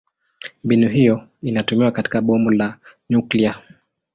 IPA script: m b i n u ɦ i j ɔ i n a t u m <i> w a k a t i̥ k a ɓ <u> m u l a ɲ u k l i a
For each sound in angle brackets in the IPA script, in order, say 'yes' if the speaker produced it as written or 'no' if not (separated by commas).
yes, no